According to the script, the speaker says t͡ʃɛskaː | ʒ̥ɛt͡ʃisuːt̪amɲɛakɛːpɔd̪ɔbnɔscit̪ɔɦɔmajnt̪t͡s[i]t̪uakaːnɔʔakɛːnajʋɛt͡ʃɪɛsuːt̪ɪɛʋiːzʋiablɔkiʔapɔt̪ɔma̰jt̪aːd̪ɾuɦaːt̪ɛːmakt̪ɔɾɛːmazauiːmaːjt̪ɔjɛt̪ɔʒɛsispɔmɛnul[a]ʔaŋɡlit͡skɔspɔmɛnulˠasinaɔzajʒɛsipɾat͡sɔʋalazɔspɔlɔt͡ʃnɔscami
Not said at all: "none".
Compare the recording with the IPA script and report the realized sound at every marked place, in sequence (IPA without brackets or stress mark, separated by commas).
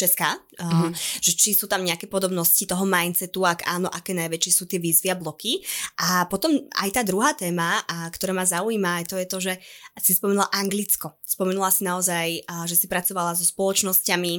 ɛ, a